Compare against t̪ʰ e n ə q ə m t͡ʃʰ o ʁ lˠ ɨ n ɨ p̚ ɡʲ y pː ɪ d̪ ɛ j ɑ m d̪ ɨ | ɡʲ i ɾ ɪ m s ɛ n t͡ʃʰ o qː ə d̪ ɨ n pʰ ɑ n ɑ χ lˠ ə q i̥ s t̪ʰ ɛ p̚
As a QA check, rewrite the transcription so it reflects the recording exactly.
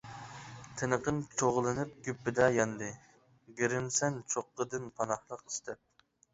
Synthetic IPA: t̪ʰ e n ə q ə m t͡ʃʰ o ʁ lˠ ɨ n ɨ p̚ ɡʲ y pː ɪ d̪ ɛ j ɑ n d̪ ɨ | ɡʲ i ɾ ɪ m s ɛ n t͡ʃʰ o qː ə d̪ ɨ n pʰ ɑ n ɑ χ lˠ ə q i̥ s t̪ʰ ɛ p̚